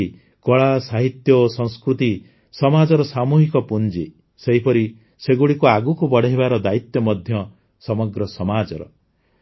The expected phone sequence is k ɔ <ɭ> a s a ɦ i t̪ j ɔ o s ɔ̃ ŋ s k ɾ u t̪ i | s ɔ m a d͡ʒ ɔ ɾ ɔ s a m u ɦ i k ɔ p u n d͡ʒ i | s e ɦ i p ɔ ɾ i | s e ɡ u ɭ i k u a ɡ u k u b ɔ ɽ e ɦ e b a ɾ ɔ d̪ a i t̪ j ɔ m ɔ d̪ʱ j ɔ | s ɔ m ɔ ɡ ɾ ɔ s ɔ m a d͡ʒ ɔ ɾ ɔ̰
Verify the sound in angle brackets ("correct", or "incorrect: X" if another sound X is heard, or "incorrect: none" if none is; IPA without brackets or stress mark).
correct